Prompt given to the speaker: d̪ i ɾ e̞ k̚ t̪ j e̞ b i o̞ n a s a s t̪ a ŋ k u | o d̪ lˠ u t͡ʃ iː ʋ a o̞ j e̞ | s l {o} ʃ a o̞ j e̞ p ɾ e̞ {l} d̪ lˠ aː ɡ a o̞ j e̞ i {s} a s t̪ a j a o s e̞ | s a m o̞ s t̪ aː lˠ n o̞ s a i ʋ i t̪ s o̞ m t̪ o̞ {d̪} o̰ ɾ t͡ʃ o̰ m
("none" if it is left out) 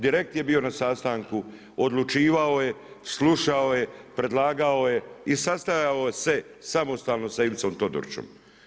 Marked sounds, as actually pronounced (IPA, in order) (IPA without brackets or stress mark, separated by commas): u, none, s, d̪